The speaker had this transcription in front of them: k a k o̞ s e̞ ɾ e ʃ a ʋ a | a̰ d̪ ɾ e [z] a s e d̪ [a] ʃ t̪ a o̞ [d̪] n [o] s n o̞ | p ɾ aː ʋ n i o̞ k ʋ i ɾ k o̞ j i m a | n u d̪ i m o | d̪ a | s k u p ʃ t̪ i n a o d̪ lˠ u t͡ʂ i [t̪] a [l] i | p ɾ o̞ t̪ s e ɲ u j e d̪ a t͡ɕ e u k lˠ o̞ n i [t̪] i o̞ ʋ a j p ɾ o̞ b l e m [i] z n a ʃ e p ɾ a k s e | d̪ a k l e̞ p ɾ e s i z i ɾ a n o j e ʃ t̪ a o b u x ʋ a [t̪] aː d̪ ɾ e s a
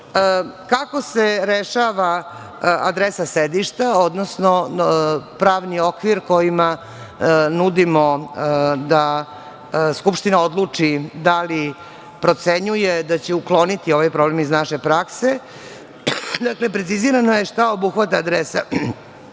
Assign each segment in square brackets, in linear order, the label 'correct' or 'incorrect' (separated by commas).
incorrect, incorrect, correct, correct, incorrect, correct, correct, correct, correct